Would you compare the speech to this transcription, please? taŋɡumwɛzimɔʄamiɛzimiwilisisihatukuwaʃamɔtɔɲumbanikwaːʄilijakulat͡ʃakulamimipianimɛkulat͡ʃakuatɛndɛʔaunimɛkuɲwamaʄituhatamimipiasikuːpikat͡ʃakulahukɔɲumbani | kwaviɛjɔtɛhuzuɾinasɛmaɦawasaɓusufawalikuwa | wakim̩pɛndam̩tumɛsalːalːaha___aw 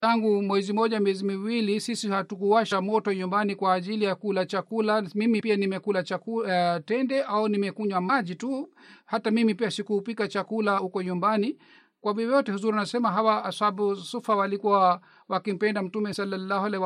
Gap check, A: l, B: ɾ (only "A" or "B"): A